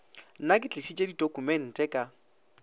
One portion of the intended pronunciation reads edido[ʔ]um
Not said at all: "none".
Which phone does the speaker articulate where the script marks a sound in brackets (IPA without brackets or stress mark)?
k